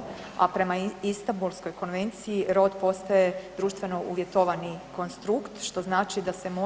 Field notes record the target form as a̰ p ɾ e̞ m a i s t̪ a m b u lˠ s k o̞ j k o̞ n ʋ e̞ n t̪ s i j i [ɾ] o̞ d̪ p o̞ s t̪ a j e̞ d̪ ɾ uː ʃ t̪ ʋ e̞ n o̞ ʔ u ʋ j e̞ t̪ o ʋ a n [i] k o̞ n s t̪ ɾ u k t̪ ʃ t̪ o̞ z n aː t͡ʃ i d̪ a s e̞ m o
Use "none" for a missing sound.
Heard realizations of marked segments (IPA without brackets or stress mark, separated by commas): ɾ, i